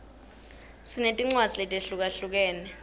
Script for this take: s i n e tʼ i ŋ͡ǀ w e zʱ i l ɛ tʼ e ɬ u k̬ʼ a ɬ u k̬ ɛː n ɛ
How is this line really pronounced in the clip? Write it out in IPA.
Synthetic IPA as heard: s i n e tʼ i ŋ͡ǀ w a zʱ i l ɛ tʼ e ɬ u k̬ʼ a ɬ u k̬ ɛː n ɛ